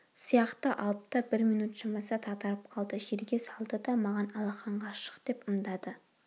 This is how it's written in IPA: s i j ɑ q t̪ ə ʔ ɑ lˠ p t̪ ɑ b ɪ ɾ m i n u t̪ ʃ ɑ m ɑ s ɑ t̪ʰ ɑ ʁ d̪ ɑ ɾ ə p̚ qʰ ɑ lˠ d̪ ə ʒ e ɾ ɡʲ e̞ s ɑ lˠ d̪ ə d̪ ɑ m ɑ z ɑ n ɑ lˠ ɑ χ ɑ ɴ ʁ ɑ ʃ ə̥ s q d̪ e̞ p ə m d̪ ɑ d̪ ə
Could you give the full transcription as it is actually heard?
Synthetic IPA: s i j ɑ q t̪ ə ʔ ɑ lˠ p t̪ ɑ b ɪ ɾ m i n u t̪ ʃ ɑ m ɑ s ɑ t̪ʰ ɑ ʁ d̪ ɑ ɾ ə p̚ qʰ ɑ lˠ d̪ ə ʒ e ɾ ɡʲ e̞ s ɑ lˠ d̪ ə d̪ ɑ m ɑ ʁ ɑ n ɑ lˠ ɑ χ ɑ ɴ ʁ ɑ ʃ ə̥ q d̪ e̞ p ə m d̪ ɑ d̪ ə